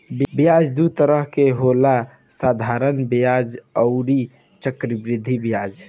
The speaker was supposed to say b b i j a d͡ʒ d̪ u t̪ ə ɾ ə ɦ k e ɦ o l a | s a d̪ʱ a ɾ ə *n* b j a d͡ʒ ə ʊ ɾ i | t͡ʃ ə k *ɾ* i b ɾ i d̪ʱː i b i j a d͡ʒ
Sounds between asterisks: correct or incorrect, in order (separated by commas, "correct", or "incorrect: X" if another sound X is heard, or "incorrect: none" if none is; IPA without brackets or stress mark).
correct, correct